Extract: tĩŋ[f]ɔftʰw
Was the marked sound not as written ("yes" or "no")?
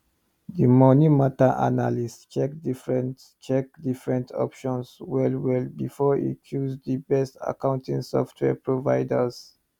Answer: yes